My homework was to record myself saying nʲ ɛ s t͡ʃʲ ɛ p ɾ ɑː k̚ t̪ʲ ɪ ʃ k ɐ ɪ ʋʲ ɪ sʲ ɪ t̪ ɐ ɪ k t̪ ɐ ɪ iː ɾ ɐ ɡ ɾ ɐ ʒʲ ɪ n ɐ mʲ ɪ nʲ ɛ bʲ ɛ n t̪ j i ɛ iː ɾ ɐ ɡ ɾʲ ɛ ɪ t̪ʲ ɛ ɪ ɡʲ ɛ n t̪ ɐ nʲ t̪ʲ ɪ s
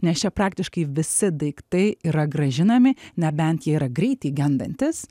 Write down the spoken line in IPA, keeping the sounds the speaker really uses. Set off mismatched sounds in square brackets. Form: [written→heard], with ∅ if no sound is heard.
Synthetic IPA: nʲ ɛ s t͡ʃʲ ɛ p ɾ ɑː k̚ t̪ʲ ɪ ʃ k ɐ ɪ ʋʲ ɪ sʲ ɪ [t̪→d̪] ɐ ɪ k t̪ ɐ ɪ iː ɾ ɐ ɡ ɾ ɐ ʒʲ ɪ n ɐ mʲ ɪ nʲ ɛ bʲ ɛ n t̪ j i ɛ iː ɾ ɐ ɡ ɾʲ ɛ ɪ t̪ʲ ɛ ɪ ɡʲ ɛ n [t̪→d̪] ɐ nʲ t̪ʲ ɪ s